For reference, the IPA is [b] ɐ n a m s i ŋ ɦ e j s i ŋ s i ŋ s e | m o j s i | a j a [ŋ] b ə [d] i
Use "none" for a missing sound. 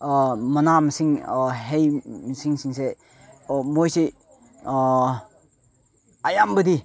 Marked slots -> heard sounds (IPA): m, m, d

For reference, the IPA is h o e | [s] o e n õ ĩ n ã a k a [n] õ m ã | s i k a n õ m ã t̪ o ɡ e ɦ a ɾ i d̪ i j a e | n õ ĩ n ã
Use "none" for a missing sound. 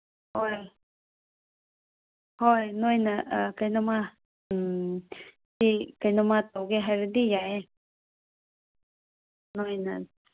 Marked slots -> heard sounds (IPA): h, n

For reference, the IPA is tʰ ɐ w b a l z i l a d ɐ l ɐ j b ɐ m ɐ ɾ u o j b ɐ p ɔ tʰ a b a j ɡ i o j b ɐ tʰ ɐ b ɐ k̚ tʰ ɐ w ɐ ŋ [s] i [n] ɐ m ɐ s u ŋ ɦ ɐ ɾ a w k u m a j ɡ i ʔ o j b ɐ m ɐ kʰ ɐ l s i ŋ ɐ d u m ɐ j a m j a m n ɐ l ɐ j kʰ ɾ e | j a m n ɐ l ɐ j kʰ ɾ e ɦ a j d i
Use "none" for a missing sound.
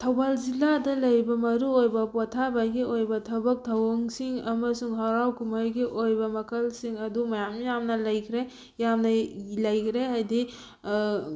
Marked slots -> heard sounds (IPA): s, ŋ

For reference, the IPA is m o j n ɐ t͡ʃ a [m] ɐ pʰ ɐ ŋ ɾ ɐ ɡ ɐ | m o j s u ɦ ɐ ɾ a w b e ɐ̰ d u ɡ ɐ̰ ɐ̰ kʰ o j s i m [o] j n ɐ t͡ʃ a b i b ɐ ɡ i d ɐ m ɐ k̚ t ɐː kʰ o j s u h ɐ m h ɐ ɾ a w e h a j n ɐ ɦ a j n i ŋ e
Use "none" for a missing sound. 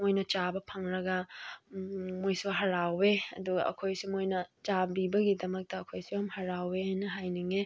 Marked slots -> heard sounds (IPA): b, o

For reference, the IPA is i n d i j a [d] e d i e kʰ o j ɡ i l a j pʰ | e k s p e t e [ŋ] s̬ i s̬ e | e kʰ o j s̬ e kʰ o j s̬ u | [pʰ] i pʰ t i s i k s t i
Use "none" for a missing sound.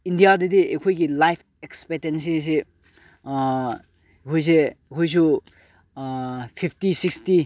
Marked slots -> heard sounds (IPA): d, n, pʰ

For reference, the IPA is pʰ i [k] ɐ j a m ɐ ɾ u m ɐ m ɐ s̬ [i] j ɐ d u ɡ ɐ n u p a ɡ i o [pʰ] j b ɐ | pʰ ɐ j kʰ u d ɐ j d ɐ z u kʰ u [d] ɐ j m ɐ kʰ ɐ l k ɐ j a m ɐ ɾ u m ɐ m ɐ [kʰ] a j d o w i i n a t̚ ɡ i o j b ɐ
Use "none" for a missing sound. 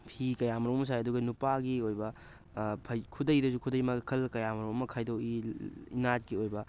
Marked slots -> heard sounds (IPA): k, a, none, d, kʰ

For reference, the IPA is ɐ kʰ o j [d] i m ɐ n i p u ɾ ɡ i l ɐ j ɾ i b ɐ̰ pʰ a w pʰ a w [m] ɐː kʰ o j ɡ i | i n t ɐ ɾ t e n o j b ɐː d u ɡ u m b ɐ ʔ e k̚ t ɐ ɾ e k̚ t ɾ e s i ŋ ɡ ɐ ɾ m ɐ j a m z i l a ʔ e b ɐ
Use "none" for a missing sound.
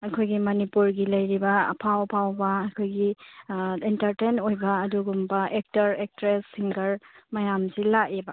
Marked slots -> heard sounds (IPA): ɡ, b

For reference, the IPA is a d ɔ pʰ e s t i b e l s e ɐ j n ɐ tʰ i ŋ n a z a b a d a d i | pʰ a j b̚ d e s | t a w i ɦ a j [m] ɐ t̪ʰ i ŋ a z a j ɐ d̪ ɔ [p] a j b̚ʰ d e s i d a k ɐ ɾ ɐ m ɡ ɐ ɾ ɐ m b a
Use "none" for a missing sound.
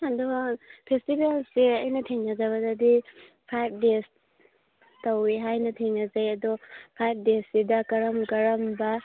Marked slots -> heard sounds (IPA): n, pʰ

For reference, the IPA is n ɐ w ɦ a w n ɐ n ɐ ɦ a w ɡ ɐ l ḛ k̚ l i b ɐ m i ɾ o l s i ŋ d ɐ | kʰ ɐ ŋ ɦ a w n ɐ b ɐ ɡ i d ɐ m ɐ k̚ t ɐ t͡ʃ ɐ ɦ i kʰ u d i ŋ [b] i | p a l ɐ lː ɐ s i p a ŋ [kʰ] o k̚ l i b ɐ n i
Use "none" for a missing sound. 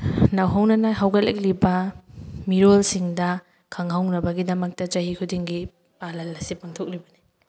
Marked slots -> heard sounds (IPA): ɡ, tʰ

